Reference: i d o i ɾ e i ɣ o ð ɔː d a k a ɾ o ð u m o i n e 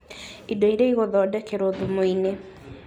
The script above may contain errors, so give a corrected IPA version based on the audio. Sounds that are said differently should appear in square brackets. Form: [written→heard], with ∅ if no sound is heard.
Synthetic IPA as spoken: i d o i ɾ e i ɣ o ð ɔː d [a→ɛ] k [a→e] ɾ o ð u m o i n e